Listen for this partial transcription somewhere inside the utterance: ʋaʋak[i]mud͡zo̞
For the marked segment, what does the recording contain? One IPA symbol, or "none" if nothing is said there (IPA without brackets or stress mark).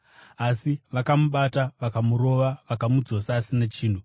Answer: a